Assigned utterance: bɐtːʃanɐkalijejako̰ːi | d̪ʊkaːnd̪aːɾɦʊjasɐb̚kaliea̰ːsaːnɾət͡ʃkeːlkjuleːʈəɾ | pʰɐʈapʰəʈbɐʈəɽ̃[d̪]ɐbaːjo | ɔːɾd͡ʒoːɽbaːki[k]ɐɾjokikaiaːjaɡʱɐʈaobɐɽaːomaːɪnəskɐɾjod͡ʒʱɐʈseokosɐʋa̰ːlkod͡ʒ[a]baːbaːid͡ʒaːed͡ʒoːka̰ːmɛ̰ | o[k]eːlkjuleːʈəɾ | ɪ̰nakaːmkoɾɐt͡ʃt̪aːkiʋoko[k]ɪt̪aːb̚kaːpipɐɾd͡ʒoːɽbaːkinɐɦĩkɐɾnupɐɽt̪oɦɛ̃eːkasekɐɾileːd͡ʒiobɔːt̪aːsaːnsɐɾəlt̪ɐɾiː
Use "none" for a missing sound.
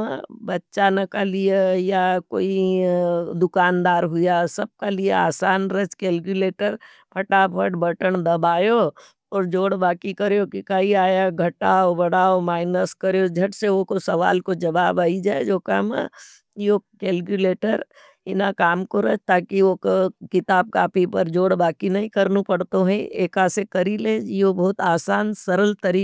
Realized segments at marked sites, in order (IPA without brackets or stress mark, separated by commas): d̪, k, ɐ, k, k